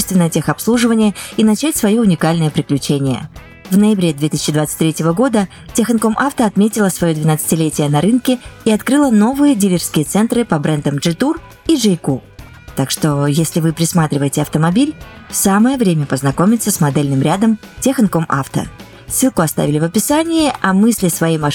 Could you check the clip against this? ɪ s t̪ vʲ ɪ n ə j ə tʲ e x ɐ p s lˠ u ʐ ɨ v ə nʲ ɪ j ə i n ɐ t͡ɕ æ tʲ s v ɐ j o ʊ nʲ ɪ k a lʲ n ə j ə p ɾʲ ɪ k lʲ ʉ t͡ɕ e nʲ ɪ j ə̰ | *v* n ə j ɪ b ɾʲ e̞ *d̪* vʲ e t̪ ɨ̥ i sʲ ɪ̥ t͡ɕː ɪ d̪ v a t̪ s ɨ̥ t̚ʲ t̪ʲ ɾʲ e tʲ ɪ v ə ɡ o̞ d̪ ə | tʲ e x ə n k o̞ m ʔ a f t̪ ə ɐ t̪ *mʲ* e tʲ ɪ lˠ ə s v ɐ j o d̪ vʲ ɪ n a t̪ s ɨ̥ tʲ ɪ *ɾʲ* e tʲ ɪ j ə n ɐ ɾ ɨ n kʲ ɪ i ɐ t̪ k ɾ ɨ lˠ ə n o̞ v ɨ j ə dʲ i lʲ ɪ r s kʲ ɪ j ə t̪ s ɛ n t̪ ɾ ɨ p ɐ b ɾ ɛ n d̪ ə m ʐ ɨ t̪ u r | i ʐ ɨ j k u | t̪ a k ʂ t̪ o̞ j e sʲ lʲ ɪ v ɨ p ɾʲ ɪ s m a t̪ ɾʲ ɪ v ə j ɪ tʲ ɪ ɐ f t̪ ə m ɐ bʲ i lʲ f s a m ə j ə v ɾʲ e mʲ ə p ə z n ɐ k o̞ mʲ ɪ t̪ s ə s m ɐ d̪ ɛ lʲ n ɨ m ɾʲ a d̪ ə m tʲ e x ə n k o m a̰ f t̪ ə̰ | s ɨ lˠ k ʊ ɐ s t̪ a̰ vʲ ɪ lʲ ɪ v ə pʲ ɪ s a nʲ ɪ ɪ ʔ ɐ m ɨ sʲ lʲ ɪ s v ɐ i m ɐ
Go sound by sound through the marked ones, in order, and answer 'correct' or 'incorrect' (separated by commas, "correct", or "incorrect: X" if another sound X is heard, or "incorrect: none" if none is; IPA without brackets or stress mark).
correct, correct, correct, incorrect: lʲ